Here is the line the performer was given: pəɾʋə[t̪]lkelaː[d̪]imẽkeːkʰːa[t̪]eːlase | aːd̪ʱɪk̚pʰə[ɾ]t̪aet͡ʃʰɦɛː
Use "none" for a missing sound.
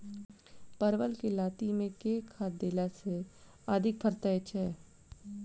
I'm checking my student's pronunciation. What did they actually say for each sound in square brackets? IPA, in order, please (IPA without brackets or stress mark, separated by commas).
none, t̪, d̪, ɾ